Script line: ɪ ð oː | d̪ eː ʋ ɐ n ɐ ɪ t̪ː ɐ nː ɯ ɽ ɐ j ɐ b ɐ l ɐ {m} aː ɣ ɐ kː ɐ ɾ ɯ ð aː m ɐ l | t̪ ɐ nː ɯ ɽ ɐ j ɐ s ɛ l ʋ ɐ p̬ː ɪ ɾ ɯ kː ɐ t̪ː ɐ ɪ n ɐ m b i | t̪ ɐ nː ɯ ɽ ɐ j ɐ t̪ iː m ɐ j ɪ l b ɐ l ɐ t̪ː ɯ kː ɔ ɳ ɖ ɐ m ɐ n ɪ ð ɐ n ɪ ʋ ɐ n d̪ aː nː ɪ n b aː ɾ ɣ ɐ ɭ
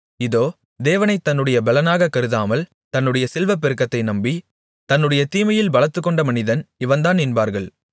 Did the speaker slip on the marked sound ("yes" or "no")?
yes